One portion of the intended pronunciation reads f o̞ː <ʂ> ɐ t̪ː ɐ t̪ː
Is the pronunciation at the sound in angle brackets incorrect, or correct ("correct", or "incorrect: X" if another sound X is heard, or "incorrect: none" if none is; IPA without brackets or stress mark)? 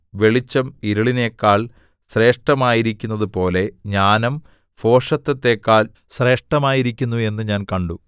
correct